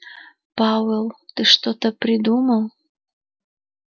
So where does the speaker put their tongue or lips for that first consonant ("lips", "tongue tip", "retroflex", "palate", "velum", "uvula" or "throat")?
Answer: lips